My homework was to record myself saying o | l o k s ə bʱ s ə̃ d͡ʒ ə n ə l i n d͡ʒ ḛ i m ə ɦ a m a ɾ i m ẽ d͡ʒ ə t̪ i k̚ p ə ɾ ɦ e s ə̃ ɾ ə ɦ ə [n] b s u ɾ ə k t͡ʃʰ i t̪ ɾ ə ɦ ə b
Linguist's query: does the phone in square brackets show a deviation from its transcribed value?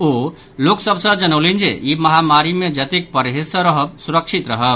yes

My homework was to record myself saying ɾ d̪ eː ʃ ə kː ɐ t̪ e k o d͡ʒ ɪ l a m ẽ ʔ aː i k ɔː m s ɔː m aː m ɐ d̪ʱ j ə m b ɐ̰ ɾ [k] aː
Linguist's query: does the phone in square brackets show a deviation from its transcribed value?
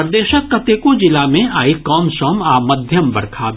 yes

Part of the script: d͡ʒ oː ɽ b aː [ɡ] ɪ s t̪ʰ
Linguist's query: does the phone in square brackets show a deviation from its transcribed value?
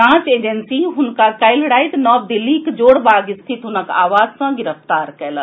no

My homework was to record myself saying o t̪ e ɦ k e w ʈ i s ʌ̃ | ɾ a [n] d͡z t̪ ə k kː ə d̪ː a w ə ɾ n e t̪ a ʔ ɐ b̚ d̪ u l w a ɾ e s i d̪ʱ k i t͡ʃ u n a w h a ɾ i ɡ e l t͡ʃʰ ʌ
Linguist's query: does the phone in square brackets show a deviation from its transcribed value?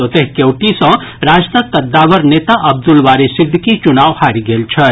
yes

